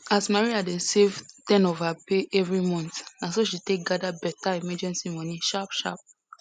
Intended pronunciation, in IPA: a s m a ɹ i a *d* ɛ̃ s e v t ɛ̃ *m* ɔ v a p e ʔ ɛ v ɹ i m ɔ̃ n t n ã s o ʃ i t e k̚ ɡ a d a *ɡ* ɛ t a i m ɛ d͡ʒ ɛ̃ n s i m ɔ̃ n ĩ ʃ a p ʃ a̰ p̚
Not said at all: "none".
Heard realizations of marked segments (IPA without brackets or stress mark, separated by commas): d, n, b